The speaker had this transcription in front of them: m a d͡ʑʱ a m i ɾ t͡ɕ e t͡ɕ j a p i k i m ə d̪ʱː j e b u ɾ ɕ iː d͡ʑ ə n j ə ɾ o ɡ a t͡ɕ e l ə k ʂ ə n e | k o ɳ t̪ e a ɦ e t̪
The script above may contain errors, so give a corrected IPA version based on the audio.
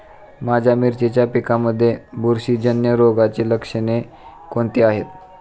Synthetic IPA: m a d͡ʑʱ a m i ɾ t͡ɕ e t͡ɕ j a p i k a m ə d̪ʱː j e b u ɾ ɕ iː d͡ʑ ə n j ə ɾ o ɡ a t͡ɕ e l ə k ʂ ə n e | k o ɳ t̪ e a ɦ e t̪